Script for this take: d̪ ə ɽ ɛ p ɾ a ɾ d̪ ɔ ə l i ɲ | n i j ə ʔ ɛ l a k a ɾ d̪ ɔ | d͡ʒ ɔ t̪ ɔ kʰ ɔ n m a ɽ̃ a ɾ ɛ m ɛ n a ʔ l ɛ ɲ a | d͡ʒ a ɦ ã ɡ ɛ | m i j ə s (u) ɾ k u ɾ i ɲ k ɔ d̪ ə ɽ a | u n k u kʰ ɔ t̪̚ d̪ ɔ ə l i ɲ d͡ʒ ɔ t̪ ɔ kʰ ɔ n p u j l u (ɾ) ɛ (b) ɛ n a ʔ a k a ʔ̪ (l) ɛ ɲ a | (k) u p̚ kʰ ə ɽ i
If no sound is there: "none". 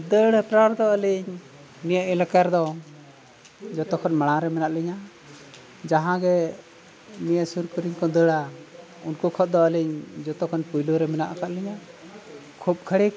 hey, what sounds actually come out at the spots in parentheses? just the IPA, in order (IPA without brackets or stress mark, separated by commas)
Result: u, ɾ, m, l, kʰ